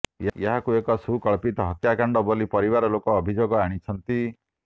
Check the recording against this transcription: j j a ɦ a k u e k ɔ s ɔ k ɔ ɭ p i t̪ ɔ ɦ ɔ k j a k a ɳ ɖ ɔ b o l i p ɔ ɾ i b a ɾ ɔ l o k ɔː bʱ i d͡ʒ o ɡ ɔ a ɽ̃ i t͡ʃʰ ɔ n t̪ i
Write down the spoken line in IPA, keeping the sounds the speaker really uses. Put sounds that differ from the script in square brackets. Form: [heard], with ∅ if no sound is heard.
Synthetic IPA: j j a ɦ a k u e k ɔ s [u] k ɔ ɭ p i t̪ ɔ ɦ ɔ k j a k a ɳ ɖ ɔ b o l i p ɔ ɾ i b a ɾ ɔ l o k ɔː bʱ i d͡ʒ o ɡ ɔ a ɽ̃ i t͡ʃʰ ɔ n t̪ i